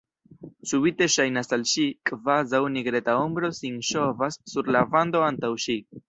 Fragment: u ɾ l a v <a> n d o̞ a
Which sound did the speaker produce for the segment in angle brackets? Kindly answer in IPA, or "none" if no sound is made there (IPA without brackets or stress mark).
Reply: a